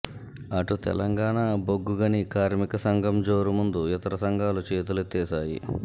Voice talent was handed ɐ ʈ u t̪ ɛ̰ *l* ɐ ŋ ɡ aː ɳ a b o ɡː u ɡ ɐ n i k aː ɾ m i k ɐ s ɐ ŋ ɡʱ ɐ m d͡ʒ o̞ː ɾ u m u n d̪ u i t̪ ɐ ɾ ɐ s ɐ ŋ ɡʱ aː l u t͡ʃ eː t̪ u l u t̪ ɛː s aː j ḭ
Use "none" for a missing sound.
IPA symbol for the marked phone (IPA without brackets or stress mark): l